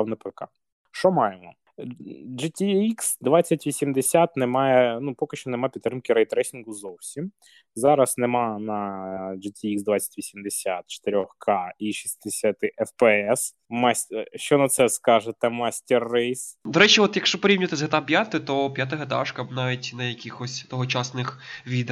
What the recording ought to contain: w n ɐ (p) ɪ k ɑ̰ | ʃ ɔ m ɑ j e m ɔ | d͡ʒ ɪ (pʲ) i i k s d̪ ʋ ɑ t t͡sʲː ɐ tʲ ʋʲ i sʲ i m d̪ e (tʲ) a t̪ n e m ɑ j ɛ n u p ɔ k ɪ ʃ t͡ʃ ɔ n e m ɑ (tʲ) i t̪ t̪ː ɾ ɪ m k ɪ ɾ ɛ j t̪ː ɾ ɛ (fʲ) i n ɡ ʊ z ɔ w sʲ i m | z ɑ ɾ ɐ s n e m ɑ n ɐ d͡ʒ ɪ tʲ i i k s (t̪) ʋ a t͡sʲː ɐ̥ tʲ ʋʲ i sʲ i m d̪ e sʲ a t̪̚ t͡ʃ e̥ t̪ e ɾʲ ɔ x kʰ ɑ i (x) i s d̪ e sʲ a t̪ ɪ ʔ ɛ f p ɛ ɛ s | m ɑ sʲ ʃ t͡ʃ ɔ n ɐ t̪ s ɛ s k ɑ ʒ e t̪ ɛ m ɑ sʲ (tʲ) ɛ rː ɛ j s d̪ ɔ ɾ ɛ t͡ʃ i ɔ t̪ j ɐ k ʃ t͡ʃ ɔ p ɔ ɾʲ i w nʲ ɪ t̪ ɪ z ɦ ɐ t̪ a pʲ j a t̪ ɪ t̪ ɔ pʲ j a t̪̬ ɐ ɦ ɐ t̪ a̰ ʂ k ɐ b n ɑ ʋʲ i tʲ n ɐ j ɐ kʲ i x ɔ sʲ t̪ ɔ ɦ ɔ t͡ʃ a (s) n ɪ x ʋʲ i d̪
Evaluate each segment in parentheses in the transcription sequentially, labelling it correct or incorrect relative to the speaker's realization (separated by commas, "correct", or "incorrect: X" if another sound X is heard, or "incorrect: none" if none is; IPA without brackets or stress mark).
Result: correct, incorrect: tʲ, incorrect: sʲ, incorrect: pʲ, incorrect: sʲ, incorrect: d̪, incorrect: ʃ, correct, correct